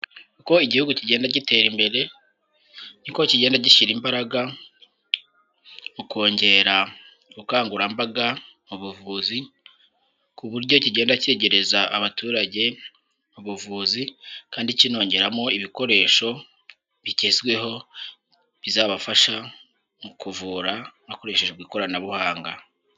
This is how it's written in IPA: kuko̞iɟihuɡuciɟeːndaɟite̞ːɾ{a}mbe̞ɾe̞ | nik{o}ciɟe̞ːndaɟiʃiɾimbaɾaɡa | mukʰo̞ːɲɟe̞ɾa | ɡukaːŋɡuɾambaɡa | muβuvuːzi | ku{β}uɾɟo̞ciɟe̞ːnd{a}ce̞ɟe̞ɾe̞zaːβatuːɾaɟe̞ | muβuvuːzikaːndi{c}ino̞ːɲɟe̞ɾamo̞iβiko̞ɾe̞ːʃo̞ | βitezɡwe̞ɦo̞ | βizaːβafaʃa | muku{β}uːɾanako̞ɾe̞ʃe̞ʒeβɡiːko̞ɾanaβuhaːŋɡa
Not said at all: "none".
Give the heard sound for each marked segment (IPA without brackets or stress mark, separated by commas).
i, o, β, a, c, v